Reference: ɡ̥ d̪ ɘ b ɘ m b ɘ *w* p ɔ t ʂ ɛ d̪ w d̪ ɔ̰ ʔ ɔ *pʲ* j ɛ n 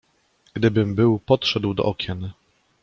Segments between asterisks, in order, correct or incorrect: correct, incorrect: kʲ

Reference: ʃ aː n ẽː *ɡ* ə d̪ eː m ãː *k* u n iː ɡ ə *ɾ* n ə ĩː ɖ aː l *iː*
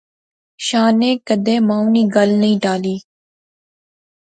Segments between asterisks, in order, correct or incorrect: incorrect: k, incorrect: none, incorrect: l, correct

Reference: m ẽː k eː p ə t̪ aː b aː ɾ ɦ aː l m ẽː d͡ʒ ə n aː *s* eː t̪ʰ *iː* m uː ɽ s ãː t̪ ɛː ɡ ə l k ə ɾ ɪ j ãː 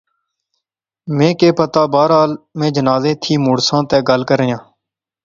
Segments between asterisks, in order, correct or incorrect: incorrect: z, correct

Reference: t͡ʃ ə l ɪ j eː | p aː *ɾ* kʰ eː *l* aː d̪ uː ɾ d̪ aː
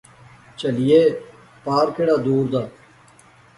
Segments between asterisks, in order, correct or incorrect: correct, incorrect: ɽ

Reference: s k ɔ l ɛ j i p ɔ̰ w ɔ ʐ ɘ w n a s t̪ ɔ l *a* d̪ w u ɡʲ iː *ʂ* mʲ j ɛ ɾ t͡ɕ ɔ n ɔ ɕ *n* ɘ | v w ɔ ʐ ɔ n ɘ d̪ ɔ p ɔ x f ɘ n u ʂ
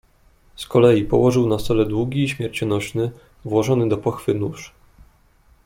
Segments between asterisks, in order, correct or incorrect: incorrect: ɛ, incorrect: ɕ, correct

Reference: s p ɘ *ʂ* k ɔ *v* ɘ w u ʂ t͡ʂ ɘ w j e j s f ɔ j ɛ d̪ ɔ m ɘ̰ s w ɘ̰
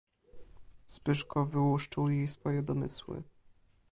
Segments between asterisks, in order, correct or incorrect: correct, correct

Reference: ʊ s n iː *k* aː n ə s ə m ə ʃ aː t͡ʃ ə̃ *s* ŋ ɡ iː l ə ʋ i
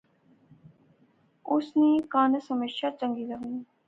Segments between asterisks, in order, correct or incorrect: correct, incorrect: none

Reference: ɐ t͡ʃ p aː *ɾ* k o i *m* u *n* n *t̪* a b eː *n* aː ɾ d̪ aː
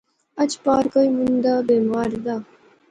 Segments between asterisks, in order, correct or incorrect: correct, correct, correct, incorrect: d̪, incorrect: m

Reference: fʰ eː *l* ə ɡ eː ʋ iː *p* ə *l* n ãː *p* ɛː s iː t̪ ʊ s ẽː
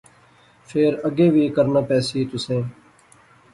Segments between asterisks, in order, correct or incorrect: incorrect: ɾ, incorrect: k, incorrect: ɾ, correct

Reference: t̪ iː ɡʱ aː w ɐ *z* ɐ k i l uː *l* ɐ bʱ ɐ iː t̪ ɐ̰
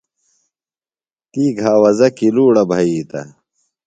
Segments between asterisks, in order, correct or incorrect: correct, incorrect: ɽ

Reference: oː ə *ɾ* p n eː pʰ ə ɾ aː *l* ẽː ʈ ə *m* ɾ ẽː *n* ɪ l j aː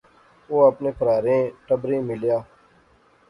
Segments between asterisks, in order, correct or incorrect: incorrect: none, incorrect: ɾ, incorrect: b, incorrect: m

